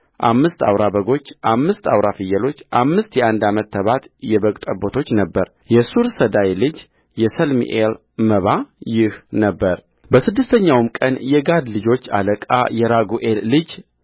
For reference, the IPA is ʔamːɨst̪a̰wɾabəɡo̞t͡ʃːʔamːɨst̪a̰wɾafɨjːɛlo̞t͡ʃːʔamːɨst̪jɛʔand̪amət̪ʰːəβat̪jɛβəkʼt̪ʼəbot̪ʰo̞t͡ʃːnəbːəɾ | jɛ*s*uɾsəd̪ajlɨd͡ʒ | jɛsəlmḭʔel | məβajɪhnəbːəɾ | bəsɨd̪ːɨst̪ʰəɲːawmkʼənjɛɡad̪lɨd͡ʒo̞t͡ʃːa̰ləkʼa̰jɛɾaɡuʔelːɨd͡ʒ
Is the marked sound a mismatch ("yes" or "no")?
no